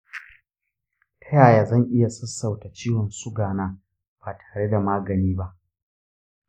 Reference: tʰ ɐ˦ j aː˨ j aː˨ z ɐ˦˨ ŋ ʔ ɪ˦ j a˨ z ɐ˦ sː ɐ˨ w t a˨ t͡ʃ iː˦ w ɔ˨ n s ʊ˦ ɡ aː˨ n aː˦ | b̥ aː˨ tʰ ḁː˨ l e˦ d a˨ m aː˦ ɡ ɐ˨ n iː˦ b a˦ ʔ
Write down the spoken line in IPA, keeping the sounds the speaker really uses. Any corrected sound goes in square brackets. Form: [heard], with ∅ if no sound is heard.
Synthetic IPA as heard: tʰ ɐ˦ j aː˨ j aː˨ z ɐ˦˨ ŋ ʔ ɪ˦ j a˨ [s] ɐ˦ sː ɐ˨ w t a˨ t͡ʃ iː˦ w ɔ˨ n s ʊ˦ ɡ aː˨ n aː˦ | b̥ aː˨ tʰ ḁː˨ [ɽ] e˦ d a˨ m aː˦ ɡ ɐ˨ n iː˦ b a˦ ʔ